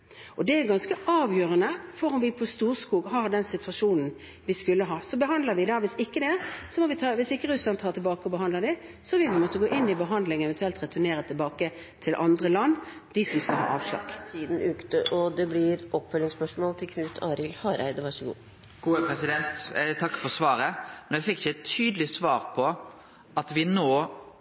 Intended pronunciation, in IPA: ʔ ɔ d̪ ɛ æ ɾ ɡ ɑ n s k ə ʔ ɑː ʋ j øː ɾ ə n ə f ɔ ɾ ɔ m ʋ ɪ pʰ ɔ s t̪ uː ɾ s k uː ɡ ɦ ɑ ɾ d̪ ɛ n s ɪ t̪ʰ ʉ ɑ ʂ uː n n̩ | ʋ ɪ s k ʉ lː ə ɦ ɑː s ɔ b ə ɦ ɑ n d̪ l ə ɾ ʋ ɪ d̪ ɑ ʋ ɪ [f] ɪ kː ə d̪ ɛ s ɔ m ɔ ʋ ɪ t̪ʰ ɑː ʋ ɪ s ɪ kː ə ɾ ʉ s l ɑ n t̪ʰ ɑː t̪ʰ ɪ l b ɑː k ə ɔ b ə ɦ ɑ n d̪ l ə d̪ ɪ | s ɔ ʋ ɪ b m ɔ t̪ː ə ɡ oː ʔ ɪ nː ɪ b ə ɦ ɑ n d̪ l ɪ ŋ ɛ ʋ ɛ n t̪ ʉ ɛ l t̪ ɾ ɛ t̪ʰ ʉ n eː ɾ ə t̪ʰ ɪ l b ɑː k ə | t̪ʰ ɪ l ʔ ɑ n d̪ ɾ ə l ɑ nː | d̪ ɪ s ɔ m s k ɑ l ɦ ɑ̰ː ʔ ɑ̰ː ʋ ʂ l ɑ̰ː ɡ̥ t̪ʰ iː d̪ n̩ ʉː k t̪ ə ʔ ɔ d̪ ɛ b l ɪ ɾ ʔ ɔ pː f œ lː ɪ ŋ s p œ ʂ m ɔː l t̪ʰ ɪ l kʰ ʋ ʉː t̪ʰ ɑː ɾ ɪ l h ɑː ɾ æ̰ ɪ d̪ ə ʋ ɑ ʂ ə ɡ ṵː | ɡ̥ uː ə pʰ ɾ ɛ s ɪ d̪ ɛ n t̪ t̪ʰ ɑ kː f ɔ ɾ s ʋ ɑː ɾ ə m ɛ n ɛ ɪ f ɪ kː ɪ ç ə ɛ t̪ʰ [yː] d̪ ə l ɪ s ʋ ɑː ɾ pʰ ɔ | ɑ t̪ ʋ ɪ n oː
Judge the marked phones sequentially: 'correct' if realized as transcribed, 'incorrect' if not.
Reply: incorrect: s, correct

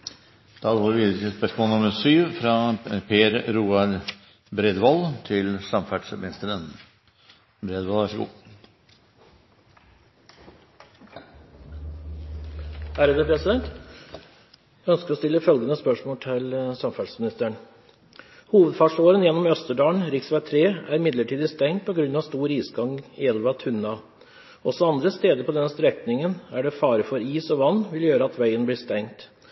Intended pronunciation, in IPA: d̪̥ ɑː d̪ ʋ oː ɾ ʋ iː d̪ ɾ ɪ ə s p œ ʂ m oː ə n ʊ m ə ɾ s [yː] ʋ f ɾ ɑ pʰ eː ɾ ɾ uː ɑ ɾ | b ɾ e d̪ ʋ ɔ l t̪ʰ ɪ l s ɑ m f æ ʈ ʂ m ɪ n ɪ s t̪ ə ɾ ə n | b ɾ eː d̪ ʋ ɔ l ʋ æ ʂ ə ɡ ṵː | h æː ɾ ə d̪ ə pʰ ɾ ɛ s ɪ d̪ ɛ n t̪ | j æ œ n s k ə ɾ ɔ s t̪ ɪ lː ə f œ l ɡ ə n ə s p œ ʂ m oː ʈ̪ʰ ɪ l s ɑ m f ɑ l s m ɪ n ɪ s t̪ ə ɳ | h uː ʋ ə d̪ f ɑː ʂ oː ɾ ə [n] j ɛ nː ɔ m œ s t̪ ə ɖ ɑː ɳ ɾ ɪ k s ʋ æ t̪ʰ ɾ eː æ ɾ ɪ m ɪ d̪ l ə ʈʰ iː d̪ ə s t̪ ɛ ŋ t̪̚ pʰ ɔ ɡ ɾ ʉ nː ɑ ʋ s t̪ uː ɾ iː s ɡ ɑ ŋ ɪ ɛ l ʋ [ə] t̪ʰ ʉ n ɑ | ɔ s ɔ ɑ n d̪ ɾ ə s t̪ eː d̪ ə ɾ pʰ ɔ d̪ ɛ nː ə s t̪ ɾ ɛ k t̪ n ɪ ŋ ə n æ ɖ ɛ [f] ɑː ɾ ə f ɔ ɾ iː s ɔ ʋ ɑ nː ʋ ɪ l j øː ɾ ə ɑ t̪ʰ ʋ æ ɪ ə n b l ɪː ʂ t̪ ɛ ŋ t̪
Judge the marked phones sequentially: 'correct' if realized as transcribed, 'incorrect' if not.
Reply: correct, correct, incorrect: ɑ, correct

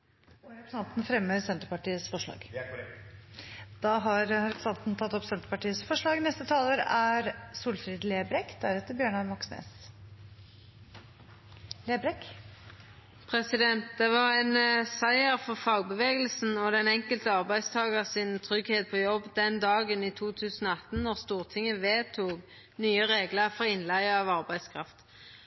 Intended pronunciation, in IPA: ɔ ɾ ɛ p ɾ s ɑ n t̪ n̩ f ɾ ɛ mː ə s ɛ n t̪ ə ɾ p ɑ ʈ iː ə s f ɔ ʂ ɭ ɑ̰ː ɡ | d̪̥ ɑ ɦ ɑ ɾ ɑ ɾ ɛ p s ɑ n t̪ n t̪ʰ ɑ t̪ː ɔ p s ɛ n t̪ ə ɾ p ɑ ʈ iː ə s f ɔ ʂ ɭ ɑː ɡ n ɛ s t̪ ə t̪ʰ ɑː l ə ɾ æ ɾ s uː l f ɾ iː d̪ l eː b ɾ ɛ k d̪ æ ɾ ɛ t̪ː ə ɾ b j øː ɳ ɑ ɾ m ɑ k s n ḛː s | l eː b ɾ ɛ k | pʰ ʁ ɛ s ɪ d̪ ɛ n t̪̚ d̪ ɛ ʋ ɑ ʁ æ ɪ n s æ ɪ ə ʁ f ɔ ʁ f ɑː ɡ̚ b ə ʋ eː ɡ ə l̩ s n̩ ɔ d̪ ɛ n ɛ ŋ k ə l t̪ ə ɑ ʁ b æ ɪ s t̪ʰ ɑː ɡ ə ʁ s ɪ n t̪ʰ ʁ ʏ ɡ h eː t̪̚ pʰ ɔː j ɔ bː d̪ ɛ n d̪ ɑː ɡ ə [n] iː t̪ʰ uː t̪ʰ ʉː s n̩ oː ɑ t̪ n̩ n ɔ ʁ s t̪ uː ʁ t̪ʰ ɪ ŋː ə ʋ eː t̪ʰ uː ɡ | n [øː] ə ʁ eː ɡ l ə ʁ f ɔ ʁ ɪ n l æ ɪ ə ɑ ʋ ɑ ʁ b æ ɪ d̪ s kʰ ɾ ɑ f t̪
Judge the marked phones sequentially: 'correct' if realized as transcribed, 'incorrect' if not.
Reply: correct, incorrect: yː

